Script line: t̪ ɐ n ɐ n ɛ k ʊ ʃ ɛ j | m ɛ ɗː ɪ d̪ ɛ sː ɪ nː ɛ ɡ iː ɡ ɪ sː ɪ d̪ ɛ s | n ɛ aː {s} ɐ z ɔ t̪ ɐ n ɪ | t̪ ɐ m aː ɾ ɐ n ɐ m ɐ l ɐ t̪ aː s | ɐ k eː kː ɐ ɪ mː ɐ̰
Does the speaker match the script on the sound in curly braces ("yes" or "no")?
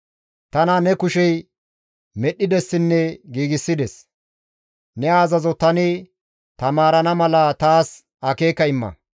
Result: no